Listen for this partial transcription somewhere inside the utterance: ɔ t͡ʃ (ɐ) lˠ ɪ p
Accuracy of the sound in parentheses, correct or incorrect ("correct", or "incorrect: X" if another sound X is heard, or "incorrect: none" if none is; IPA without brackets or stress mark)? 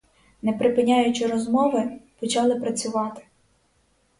incorrect: ɑ